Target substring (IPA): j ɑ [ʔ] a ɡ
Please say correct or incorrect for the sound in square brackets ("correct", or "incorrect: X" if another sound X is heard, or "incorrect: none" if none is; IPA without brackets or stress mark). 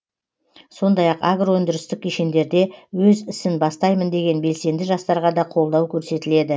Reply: incorrect: q